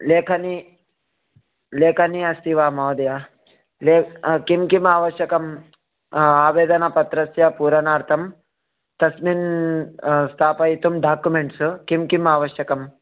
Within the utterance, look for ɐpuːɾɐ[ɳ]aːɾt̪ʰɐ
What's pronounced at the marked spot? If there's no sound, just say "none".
n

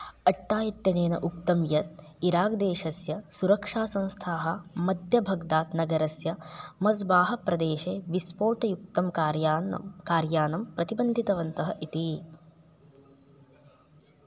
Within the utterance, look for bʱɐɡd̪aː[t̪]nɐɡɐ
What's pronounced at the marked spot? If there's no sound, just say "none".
t̪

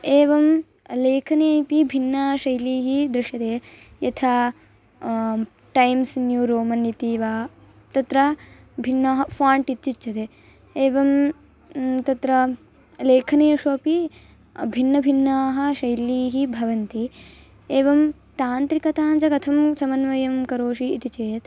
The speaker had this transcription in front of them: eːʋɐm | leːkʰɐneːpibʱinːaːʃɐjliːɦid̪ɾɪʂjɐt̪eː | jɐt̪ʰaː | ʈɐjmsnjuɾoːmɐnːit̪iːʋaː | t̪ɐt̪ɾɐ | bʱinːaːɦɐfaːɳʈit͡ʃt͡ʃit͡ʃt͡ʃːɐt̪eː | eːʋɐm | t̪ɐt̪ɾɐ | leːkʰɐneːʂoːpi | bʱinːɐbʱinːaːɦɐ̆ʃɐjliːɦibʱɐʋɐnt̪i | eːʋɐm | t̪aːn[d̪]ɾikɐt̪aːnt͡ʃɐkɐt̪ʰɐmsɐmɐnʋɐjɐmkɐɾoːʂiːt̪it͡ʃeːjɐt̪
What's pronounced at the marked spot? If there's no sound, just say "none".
t̪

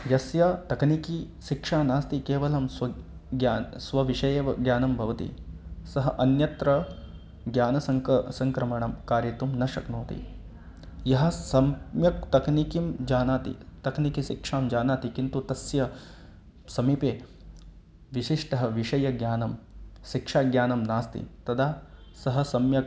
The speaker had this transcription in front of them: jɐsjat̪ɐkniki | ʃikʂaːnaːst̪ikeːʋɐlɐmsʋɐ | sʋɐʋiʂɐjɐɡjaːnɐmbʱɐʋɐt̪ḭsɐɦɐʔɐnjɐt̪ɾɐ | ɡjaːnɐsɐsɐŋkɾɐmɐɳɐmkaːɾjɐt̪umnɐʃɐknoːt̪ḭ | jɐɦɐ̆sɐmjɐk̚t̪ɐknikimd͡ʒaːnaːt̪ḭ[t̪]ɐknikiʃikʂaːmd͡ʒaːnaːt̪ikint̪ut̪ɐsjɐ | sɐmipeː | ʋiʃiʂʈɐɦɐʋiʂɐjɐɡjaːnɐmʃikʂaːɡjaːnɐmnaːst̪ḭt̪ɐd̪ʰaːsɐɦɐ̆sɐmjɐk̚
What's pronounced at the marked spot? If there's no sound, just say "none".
t̪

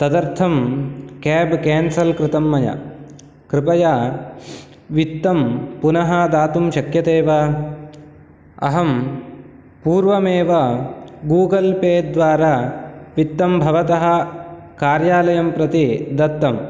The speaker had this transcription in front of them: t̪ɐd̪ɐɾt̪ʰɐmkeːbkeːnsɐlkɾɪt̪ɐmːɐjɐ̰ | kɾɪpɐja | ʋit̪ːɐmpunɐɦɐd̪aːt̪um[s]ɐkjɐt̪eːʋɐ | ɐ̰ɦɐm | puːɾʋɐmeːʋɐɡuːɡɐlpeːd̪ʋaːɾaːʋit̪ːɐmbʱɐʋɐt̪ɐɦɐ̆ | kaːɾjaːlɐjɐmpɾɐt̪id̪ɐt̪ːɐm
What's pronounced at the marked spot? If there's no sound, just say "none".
ʃ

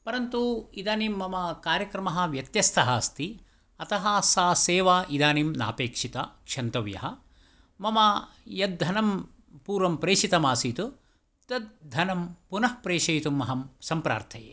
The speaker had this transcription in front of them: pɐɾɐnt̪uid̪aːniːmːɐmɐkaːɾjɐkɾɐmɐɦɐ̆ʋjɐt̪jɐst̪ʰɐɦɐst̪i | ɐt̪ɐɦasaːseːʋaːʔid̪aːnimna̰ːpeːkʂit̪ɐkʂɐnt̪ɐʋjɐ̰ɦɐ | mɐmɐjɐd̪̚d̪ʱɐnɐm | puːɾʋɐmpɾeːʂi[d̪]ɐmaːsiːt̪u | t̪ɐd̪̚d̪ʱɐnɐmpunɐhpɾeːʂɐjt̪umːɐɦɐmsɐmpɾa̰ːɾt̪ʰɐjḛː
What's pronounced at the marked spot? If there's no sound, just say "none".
t̪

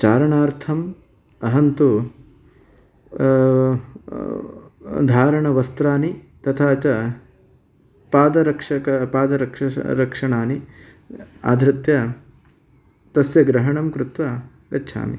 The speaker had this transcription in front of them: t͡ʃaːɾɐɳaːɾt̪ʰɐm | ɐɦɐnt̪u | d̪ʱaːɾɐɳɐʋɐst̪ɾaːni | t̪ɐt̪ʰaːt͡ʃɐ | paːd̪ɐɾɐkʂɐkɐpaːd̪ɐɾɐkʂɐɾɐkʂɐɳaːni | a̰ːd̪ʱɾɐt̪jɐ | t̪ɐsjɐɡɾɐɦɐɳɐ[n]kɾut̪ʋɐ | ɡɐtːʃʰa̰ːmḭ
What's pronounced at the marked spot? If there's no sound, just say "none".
m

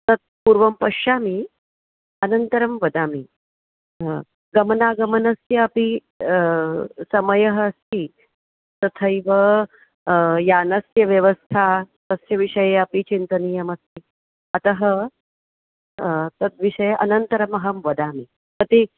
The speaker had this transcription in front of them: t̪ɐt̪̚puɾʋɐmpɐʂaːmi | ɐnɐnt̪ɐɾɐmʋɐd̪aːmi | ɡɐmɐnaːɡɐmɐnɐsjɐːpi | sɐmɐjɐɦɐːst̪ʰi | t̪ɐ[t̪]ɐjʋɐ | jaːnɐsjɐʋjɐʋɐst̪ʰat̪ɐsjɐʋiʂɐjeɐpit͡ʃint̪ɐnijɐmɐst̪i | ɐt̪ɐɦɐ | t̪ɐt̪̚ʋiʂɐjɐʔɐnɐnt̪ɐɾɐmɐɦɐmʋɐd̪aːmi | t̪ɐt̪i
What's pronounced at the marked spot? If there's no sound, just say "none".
t̪ʰ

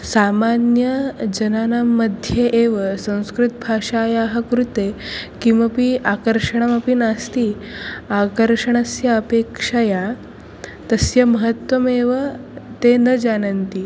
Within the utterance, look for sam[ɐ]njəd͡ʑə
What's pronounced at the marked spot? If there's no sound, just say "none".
a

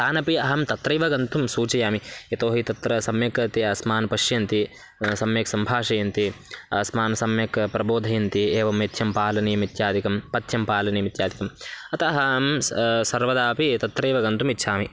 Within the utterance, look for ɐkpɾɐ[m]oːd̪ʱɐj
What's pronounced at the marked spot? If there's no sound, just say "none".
b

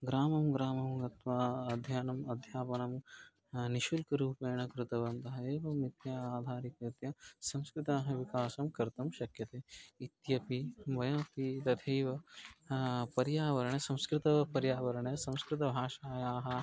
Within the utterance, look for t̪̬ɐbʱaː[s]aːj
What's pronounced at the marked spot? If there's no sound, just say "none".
ʃ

